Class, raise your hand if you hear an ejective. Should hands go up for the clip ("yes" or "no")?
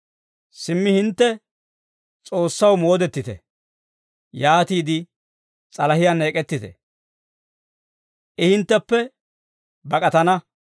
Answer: yes